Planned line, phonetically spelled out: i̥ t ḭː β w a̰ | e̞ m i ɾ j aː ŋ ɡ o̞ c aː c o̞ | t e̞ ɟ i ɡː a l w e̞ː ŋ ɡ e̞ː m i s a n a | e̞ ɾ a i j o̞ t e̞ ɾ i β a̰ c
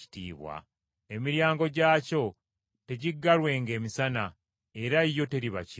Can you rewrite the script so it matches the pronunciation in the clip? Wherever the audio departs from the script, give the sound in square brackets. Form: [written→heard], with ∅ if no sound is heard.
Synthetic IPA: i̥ t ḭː β w a̰ | e̞ m i ɾ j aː ŋ ɡ o̞ [c→ɟ] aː c o̞ | t e̞ ɟ i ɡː a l w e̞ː ŋ ɡ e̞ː m i s a n a | e̞ ɾ a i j o̞ t e̞ ɾ i β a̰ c